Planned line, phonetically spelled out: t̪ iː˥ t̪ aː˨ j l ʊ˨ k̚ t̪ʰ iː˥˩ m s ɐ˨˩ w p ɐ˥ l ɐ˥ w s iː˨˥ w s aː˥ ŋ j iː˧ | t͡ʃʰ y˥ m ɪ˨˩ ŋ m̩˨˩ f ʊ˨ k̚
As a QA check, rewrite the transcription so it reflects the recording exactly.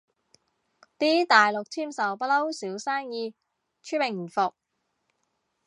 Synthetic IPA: t̪ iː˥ t̪ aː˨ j l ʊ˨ k̚ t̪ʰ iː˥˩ m s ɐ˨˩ w p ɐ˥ l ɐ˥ w s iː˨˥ w s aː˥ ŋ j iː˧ | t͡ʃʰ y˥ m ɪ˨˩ ŋ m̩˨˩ f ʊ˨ k̚

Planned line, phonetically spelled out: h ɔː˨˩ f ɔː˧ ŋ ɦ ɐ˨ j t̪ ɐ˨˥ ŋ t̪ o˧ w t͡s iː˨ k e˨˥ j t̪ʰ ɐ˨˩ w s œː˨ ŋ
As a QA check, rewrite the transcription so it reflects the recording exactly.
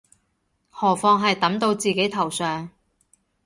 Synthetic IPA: h ɔː˨˩ f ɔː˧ ŋ ɦ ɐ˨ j t̪ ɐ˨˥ m t̪ o˧ w t͡s iː˨ k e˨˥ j t̪ʰ ɐ˨˩ w s œː˨ ŋ

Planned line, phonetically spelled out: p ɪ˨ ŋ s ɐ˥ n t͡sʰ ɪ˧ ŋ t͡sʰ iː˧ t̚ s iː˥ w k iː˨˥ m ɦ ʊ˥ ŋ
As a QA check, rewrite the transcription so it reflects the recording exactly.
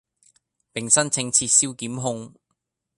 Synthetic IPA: p ɪ˨ ŋ s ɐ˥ n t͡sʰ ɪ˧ ŋ t͡sʰ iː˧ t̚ s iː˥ w k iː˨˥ m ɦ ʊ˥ ŋ

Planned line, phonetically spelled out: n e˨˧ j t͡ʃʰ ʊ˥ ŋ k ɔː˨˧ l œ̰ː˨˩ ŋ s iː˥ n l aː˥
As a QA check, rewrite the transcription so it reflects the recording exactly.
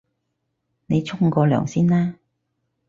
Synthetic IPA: n e˨˧ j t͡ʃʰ ʊ˥ ŋ k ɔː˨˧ l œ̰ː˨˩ ŋ s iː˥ n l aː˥

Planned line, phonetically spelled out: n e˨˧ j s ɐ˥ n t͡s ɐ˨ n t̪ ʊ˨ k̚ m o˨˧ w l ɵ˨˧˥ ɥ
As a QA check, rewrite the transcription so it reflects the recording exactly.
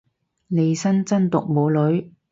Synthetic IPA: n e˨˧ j s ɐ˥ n t͡s ɐ˥ n t̪ ʊ˨ k̚ m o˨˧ w l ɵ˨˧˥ ɥ

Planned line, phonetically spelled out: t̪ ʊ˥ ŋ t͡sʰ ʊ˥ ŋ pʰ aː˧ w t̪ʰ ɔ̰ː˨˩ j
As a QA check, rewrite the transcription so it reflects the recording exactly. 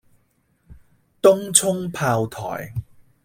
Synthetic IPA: t̪ ʊ˥ ŋ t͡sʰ ʊ˥ ŋ pʰ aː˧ w t̪ʰ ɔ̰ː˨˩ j

